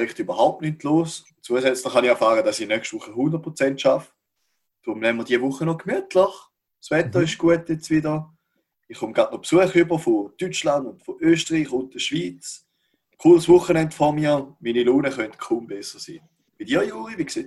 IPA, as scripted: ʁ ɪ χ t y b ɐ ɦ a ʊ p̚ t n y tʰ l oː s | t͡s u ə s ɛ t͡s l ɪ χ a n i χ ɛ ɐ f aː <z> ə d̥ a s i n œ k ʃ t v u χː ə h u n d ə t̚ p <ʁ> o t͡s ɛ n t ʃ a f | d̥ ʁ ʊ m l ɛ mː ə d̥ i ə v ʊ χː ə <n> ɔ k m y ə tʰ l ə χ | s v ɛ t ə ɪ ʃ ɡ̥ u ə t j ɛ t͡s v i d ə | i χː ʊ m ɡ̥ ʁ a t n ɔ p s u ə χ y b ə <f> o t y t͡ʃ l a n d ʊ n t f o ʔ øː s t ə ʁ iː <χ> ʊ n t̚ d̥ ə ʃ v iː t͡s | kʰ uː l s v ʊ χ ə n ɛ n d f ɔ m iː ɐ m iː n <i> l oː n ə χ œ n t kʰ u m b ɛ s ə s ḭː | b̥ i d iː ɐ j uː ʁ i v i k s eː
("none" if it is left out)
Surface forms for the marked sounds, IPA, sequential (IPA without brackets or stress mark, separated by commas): ʁ, ʁ, n, f, χ, i